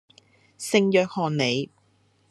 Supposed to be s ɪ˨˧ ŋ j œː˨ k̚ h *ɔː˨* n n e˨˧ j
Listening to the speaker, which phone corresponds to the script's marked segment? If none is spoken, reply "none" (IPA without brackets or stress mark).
ɔː˨